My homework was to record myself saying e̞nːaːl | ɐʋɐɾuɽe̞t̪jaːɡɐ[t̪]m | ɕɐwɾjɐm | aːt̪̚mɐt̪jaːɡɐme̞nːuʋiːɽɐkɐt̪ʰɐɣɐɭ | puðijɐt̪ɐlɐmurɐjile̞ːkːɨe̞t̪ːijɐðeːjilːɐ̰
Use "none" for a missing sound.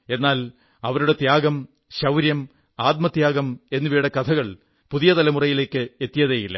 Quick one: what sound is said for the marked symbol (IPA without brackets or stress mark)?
none